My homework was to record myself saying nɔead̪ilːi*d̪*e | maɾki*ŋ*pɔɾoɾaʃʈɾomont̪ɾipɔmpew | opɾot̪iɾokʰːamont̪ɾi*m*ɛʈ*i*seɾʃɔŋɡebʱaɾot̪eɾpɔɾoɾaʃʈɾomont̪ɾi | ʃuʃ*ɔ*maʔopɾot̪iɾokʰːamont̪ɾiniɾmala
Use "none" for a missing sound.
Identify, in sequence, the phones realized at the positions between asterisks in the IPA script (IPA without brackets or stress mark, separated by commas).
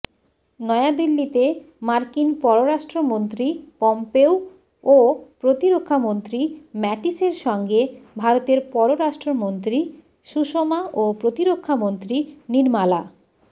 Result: t̪, n, m, i, o